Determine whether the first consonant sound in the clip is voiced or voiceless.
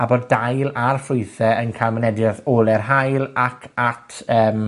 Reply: voiced